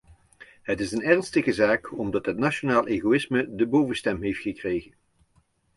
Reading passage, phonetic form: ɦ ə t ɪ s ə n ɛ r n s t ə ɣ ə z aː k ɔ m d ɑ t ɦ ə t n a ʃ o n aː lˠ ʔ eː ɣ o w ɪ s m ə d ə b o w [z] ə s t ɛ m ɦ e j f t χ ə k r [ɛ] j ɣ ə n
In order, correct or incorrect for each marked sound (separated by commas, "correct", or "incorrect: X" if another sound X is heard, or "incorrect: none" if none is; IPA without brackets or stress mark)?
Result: incorrect: v, incorrect: e